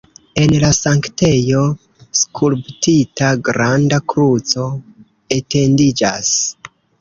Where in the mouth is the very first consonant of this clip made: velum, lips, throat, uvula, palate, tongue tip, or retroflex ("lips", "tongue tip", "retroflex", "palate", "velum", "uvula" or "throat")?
tongue tip